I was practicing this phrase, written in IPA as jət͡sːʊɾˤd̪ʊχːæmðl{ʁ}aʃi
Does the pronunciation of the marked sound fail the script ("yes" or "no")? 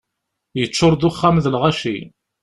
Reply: no